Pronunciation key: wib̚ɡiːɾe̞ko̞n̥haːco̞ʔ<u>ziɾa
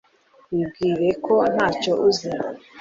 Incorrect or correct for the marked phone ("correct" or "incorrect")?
correct